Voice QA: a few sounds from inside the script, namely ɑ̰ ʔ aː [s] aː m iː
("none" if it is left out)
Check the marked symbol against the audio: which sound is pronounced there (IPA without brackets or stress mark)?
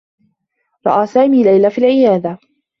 s